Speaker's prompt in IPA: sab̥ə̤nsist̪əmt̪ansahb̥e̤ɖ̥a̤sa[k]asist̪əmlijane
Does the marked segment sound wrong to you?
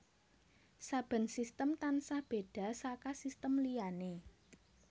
no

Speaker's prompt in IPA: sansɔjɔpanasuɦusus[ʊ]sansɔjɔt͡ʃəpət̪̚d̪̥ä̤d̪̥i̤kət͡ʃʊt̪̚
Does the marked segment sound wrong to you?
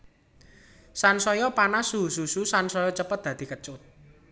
yes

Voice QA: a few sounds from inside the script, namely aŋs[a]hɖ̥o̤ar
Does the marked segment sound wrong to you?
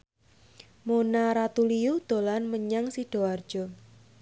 yes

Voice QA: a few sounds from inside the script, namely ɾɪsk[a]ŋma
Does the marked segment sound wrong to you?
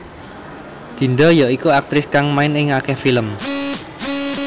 no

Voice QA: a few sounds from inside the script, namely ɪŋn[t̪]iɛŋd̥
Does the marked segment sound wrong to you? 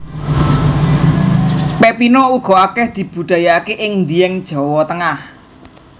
yes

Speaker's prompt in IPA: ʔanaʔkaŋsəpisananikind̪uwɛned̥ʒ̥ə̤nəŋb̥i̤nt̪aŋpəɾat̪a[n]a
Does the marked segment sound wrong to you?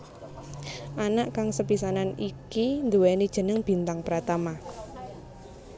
yes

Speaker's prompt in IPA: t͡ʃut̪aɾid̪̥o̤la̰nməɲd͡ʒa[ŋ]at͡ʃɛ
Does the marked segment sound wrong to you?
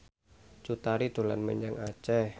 no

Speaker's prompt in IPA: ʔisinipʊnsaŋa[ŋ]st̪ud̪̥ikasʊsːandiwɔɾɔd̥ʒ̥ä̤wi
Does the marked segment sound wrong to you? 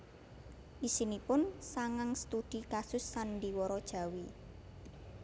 no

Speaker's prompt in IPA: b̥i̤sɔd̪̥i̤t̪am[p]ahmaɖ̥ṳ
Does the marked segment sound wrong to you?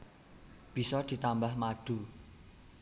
yes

